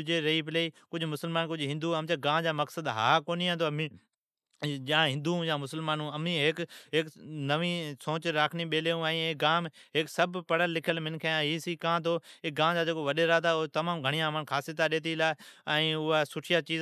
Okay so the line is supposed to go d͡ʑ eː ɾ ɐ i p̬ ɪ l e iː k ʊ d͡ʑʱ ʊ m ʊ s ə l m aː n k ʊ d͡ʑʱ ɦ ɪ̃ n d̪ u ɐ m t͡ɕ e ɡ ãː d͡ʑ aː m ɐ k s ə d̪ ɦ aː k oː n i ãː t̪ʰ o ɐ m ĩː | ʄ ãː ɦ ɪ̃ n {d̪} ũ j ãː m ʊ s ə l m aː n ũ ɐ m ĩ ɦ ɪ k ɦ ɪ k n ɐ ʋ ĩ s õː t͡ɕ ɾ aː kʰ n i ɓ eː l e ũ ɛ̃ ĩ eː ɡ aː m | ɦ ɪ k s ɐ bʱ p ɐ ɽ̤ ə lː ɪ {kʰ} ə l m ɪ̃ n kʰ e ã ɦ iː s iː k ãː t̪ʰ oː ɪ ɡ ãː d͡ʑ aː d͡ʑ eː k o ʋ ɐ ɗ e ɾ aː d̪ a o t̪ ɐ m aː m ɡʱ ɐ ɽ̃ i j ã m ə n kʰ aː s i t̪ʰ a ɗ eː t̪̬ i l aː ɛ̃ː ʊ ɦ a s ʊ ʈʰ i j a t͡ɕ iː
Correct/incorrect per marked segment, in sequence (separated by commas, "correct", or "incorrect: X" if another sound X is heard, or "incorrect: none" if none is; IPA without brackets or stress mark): correct, correct